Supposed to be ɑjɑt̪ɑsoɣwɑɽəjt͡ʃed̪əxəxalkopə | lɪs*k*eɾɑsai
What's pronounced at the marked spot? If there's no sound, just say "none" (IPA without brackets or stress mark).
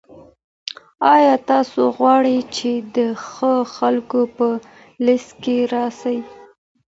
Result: k